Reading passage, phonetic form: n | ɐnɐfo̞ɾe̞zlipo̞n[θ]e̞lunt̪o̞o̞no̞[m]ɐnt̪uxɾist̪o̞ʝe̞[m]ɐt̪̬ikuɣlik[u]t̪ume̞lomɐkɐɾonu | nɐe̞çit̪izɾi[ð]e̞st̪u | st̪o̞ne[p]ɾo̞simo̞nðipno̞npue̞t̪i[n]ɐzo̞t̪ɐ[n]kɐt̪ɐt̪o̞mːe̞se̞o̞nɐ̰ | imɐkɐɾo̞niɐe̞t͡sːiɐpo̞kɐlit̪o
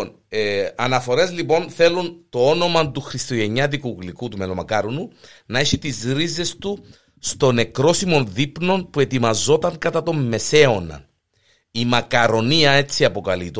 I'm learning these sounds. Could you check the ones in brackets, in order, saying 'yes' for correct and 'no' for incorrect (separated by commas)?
yes, yes, no, yes, no, no, no, no